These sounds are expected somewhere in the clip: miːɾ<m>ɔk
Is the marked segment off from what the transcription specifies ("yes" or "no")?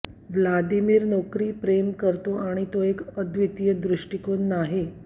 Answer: yes